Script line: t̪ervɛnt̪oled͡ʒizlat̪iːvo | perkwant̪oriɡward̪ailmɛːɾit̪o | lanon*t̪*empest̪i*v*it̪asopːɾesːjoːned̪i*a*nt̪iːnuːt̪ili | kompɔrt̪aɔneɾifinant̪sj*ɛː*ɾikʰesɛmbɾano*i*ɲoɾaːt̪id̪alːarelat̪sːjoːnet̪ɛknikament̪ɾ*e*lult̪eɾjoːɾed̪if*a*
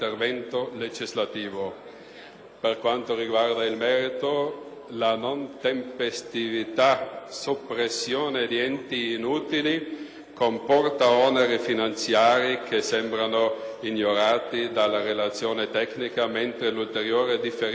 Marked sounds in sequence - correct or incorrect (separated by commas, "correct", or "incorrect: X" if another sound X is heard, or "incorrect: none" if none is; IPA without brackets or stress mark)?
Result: correct, correct, incorrect: ɛ, incorrect: aː, correct, correct, incorrect: e